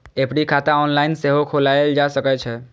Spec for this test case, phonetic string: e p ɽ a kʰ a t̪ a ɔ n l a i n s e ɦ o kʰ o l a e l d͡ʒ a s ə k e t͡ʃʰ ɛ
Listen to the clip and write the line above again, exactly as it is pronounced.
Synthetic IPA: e p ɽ i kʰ a t̪ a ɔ n l a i n s e ɦ o kʰ o l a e l d͡ʒ a s ə k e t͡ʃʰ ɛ

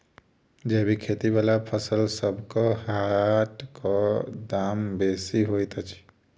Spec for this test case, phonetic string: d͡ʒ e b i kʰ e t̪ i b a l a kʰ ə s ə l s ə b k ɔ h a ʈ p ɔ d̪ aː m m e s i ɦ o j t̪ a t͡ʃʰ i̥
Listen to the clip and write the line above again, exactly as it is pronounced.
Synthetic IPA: d͡ʒ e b i kʰ e t̪ i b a l a pʰ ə s ə l s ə b k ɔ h a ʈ k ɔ d̪ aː m b e s i ɦ o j t̪ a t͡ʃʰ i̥

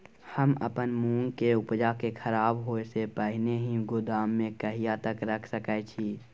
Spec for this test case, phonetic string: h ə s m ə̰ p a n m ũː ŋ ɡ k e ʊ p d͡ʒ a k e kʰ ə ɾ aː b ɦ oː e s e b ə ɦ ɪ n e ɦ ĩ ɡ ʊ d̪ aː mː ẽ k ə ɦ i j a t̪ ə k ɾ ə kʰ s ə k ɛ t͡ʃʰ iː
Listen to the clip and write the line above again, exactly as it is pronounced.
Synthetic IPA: h ə m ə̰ p ə n m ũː ŋ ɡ k e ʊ p d͡ʒ a k e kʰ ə ɾ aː b ɦ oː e s e p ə ɦ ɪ n e ɦ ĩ ɡ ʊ d̪ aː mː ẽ k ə ɦ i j a t̪ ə k ɾ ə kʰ s ə k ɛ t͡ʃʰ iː

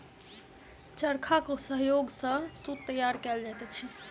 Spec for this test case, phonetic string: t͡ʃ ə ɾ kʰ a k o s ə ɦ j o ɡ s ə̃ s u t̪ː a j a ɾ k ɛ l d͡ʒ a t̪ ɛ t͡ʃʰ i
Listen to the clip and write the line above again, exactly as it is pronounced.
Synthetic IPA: t͡ʃ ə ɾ kʰ a k o s ə ɦ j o ɡ s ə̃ s u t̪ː ə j a ɾ k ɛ l d͡ʒ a t̪ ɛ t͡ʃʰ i

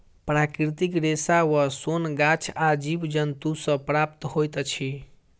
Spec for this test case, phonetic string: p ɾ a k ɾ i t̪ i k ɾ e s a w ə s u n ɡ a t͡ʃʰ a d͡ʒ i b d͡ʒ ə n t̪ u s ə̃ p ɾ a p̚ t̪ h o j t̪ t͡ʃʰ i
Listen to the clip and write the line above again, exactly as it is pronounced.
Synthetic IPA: p ɾ a k ɾ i t̪ i k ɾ e s a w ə s o n ɡ a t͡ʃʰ a d͡ʒ i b d͡ʒ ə n t̪ u s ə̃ p ɾ a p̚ t̪ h o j t̪ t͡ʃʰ i

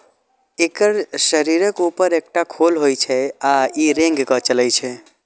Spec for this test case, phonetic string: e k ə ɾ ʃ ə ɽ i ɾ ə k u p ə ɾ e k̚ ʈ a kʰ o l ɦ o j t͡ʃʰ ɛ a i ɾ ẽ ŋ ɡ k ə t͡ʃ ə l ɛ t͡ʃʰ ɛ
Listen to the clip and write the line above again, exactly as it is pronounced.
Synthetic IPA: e k ə ɾ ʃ ə ɾ i ɾ ə k u p ə ɾ e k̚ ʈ a kʰ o l ɦ o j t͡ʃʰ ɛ a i ɾ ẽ ŋ ɡ k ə t͡ʃ ə l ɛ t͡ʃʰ ɛ

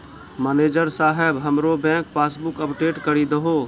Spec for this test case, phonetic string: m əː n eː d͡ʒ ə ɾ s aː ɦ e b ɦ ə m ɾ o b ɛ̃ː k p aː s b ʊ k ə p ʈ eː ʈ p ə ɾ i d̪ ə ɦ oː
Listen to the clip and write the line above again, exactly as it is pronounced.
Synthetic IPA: m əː n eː d͡ʒ ə ɾ s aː ɦ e b ɦ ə m ɾ o b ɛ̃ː k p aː s b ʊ k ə p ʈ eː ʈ k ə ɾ i d̪ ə ɦ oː

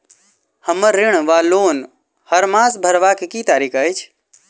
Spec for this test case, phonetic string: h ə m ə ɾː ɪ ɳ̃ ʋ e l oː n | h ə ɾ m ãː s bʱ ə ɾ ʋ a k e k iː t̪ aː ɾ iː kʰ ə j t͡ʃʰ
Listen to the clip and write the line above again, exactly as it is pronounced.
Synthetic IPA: h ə m ə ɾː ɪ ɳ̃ ʋ a l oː n | h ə ɾ m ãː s bʱ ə ɾ ʋ a k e k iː t̪ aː ɾ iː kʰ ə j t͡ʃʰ

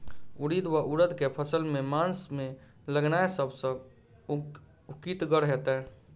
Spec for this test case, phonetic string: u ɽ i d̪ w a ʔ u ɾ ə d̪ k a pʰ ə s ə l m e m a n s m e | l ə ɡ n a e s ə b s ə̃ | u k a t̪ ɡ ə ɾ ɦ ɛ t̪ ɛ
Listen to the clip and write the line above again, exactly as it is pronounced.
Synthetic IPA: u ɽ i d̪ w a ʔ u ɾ ə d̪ k e pʰ ə s ə l m e m a n s m e | l ə ɡ n a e s ə b s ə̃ | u k i t̪ ɡ ə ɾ ɦ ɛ t̪ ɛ

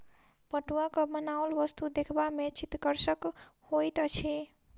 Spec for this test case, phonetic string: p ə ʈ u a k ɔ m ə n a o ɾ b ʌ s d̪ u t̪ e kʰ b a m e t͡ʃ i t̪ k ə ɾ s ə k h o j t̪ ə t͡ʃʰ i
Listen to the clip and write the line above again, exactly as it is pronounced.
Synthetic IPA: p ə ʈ u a k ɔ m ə n a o l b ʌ s t̪ u d̪ e kʰ b a m e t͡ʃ i t̪ k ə ɾ s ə k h o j t̪ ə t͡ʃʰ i

